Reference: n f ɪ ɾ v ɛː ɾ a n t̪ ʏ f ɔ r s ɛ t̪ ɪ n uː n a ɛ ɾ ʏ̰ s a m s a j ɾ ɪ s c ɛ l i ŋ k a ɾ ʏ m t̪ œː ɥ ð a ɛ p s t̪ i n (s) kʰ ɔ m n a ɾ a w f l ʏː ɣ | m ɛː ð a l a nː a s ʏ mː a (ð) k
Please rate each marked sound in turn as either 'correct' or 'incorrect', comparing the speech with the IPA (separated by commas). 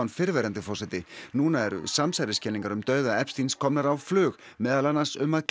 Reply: correct, correct